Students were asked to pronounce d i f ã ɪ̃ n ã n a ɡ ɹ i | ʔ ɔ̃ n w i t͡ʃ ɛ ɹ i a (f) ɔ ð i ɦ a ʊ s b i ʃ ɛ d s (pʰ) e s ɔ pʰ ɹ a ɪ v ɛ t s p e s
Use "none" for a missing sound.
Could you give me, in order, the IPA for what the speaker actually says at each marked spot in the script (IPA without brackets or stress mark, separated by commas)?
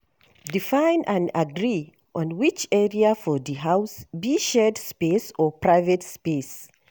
f, p